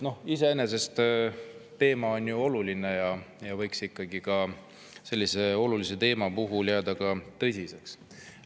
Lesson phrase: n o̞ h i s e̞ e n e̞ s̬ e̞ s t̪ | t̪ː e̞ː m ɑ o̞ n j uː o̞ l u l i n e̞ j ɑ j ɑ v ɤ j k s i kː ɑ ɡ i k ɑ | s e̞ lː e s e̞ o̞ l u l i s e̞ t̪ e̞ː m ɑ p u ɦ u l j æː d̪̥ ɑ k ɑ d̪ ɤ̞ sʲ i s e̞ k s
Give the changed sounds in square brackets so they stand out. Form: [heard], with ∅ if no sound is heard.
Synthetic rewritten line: n o̞ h i s e̞ e n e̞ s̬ e̞ s t̪ | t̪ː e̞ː m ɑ o̞ n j [u] o̞ l u l i n e̞ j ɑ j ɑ v ɤ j k s i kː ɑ ɡ i k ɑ | s e̞ lː [i] s e̞ o̞ l u l i s e̞ t̪ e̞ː m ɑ p u ɦ u l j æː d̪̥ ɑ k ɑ [t̪] ɤ̞ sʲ i s e̞ k s